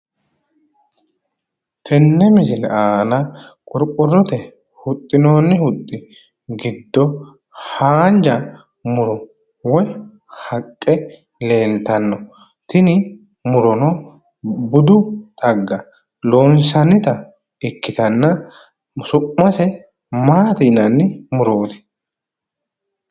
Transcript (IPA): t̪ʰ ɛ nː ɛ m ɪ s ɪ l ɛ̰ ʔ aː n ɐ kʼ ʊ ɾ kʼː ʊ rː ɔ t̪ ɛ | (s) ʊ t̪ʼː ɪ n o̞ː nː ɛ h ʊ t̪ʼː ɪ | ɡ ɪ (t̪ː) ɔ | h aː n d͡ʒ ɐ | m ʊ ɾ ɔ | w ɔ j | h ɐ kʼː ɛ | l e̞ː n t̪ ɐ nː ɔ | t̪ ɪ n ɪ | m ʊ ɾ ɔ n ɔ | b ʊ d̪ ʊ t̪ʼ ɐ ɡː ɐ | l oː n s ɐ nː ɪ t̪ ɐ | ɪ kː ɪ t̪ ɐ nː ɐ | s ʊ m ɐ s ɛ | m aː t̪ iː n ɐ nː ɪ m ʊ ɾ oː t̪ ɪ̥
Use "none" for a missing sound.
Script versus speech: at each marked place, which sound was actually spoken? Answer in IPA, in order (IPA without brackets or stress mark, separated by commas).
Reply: h, d̪ː